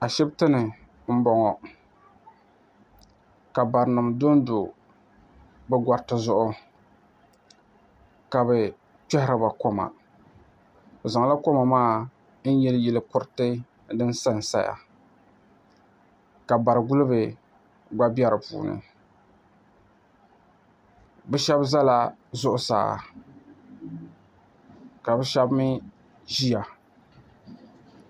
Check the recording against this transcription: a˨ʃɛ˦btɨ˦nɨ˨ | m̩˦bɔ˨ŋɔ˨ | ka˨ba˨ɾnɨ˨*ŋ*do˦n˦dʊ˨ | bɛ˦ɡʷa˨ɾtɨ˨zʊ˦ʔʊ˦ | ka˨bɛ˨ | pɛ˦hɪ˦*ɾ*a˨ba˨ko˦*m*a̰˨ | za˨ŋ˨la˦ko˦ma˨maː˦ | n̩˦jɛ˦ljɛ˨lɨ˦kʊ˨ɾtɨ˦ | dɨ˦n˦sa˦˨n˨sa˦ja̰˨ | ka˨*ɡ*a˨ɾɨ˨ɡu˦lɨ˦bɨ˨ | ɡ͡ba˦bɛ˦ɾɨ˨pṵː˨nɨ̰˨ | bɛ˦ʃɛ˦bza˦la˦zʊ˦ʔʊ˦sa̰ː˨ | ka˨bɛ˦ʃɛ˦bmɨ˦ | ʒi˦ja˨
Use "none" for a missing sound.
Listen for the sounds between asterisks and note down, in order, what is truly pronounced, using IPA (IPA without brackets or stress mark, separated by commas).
m, ɾ, m, b